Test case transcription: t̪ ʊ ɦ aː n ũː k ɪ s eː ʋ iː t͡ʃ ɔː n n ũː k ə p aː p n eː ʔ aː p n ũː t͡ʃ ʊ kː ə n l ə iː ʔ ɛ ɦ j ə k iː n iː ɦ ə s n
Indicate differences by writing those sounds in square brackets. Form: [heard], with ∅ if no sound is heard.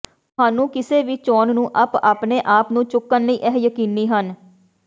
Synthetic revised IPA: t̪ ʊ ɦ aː n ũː k ɪ s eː ʋ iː t͡ʃ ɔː n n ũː [ʔ] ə p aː p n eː ʔ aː p n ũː t͡ʃ ʊ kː ə n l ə iː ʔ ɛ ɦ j ə k iː n iː ɦ ə [∅] n